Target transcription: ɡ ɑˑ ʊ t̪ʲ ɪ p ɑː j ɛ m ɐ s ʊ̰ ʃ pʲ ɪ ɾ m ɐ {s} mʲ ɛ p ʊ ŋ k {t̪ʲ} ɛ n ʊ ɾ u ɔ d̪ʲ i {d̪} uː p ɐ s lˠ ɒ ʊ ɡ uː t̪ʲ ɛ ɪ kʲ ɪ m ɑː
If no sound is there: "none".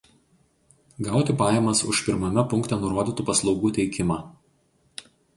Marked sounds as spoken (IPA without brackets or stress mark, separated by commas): none, t̪ʲ, t̪